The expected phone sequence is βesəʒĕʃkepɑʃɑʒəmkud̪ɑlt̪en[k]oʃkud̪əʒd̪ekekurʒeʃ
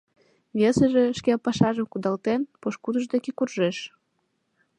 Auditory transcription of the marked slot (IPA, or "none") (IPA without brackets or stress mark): p